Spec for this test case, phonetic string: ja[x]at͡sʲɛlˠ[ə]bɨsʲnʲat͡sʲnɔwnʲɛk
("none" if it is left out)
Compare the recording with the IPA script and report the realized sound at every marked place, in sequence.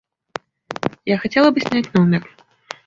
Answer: x, ɐ

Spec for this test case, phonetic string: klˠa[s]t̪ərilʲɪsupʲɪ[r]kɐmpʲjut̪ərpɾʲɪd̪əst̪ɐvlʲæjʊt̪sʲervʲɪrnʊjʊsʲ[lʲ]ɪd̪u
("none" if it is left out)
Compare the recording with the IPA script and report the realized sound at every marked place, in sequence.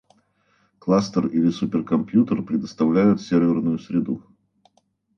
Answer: s, r, ɾʲ

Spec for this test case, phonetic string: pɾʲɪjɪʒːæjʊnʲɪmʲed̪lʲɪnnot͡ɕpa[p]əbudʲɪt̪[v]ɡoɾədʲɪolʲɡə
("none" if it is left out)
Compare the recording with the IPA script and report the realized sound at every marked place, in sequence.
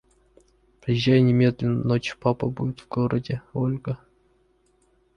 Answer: p, v

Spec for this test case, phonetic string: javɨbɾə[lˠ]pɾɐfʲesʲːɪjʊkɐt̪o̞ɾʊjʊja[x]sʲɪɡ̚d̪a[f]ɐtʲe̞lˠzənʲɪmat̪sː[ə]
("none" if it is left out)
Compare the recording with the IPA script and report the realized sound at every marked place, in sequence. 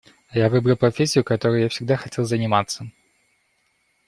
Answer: lˠ, f, x, ə

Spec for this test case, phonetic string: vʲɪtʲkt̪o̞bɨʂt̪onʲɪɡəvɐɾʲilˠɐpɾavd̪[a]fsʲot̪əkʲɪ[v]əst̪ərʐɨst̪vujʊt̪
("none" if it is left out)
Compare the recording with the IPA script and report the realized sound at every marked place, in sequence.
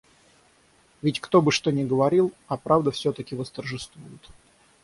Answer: ə, v

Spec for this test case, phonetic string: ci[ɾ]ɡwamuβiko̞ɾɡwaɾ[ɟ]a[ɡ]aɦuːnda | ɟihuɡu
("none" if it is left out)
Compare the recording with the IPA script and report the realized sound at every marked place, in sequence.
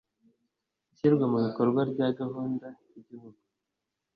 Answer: ɾ, ɟ, ɡ

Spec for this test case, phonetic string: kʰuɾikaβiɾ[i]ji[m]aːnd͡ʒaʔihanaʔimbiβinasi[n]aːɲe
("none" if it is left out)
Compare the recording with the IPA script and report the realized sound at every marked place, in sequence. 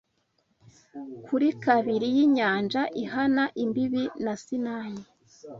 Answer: i, ɲ, n

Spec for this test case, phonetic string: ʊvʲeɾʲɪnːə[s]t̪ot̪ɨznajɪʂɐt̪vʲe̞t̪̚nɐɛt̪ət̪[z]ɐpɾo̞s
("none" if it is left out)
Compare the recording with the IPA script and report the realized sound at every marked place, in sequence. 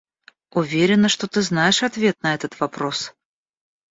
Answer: ʂ, v

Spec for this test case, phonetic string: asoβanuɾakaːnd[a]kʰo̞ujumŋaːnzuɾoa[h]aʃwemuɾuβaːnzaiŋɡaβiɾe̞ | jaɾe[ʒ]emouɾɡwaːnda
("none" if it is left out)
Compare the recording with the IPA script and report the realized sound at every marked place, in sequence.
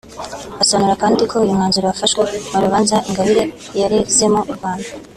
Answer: i, f, z

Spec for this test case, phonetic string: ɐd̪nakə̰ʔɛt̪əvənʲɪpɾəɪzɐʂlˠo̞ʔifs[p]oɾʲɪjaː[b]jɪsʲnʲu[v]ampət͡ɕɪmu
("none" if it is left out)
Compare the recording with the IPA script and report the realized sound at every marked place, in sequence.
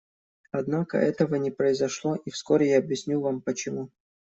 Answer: k, b, v

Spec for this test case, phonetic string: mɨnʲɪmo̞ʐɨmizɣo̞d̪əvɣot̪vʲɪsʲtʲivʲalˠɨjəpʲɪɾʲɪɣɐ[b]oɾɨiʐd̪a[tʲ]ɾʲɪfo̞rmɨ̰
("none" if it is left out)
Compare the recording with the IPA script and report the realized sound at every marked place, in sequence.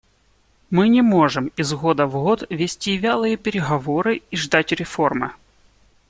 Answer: v, tʲ

